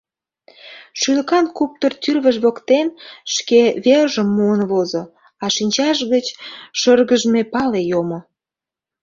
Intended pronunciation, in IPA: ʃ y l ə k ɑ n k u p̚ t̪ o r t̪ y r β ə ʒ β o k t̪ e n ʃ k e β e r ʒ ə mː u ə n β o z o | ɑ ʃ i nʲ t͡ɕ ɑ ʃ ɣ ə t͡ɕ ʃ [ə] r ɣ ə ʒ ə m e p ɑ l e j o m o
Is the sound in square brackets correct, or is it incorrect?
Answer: correct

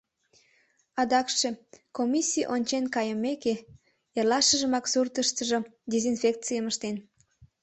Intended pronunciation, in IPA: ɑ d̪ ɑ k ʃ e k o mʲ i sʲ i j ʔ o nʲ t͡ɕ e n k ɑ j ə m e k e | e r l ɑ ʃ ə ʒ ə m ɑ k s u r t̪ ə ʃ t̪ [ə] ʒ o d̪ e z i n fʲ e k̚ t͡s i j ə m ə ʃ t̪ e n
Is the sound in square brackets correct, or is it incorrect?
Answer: correct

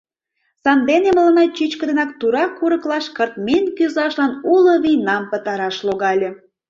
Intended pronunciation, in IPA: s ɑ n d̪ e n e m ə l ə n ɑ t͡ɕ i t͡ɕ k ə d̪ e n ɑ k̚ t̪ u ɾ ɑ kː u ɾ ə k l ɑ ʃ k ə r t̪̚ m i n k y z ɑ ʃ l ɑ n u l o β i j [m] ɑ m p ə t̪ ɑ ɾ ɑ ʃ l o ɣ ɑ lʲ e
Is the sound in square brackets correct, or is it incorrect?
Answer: incorrect: n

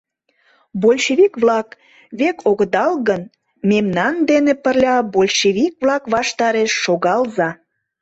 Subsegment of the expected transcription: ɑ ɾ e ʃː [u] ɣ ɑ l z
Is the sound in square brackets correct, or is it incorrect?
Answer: incorrect: o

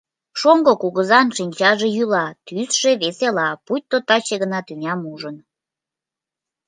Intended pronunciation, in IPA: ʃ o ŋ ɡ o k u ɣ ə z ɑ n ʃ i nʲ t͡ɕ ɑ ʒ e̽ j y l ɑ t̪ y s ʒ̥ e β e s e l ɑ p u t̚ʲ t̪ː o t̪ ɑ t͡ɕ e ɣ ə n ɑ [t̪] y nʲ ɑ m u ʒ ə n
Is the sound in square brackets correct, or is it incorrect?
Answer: correct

